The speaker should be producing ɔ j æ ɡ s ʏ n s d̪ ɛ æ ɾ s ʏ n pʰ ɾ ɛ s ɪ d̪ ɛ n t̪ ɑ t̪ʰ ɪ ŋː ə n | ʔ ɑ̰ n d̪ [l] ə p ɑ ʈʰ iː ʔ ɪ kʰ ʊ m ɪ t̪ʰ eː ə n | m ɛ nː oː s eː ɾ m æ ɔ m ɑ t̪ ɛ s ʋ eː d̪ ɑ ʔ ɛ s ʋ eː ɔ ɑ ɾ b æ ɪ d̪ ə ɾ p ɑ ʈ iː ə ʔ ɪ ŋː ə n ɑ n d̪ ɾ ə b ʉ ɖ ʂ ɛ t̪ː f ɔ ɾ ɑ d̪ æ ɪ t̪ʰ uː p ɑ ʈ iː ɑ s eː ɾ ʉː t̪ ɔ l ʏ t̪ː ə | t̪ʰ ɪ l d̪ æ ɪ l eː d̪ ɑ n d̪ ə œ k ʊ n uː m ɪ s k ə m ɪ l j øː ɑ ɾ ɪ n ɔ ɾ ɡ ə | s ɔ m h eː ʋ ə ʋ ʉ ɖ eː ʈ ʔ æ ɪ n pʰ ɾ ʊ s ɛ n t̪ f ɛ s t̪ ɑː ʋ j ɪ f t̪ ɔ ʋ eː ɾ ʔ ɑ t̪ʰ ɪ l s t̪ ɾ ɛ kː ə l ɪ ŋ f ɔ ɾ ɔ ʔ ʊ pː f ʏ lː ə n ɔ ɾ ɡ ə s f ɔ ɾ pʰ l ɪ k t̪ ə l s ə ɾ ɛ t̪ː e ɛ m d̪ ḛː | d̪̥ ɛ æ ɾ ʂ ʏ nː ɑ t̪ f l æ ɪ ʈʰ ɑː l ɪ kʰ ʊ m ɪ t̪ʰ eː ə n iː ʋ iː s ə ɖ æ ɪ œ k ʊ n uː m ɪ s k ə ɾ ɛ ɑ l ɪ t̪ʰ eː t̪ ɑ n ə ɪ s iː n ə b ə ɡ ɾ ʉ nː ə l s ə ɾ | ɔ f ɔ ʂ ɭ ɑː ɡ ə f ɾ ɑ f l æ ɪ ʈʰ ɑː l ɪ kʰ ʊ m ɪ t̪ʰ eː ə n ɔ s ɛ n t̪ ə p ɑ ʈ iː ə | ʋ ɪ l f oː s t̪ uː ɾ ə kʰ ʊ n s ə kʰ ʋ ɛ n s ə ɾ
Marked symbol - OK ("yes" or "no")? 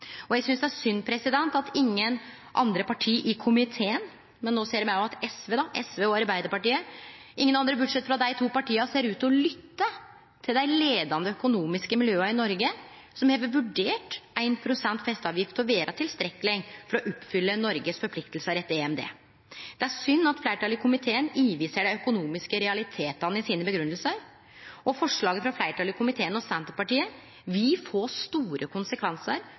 no